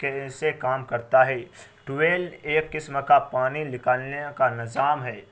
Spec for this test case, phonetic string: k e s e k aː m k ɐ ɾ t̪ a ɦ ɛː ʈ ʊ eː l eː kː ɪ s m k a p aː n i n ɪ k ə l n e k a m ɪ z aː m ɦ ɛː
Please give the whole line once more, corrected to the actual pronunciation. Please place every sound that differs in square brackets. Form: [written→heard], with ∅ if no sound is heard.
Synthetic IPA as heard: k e s e k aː m k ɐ ɾ t̪ a ɦ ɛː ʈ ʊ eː l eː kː ɪ s m k a p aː n i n ɪ k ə l n e k a [m→n] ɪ z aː m ɦ ɛː